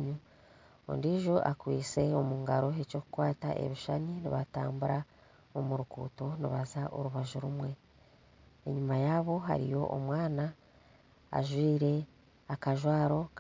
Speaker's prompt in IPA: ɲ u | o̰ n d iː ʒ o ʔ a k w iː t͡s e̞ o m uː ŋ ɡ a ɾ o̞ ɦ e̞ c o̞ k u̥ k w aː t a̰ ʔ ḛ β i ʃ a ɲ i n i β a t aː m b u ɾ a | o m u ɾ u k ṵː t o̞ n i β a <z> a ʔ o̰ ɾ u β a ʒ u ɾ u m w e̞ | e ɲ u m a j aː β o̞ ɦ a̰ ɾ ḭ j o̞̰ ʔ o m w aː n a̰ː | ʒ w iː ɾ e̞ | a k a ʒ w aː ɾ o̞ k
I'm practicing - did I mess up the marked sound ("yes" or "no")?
no